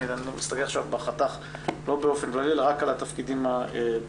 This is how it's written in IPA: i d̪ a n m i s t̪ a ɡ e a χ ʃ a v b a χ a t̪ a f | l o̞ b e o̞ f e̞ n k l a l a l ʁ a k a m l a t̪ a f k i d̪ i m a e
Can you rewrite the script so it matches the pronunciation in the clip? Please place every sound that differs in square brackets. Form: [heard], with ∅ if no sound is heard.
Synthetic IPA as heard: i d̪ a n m i s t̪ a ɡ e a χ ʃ a v b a χ a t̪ a [χ] | l o̞ b e o̞ f e̞ n k l a l [i] l ʁ a k a [∅] l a t̪ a f k i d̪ i m a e